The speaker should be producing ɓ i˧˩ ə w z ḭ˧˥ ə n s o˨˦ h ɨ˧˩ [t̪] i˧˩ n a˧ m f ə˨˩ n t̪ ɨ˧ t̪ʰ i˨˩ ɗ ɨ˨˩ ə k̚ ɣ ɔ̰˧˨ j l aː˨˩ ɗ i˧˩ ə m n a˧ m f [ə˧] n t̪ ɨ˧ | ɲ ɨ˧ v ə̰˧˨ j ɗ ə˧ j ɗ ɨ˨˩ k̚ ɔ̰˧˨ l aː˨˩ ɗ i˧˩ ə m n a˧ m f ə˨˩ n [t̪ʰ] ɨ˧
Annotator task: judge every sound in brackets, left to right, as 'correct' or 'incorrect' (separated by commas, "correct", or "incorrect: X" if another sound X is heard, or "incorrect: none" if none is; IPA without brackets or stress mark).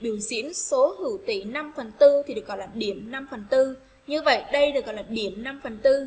correct, incorrect: ə˨˩, incorrect: t̪